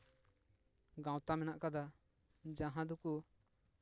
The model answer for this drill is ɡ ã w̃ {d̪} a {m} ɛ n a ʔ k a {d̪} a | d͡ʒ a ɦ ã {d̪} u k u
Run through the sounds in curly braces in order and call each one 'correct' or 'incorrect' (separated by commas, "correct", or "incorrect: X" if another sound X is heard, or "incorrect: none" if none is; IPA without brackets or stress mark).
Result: incorrect: t̪, correct, correct, correct